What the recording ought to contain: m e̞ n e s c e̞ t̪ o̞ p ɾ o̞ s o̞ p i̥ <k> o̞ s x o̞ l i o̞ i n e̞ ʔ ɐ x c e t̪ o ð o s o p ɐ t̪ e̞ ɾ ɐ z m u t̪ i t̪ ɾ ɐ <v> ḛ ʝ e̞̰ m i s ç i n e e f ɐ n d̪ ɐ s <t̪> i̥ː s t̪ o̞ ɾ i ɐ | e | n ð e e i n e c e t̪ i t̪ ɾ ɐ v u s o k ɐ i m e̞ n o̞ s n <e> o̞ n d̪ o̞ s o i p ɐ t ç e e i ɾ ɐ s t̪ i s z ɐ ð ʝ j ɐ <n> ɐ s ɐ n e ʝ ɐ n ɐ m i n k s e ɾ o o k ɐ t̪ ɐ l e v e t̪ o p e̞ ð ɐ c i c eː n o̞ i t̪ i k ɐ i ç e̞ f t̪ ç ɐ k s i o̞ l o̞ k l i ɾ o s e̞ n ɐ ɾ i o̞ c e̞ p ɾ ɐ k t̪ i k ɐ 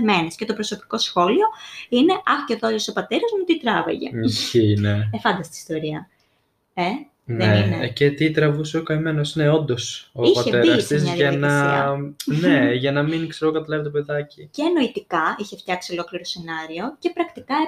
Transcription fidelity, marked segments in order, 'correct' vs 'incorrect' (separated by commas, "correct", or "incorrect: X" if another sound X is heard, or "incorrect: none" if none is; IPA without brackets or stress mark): correct, correct, correct, correct, correct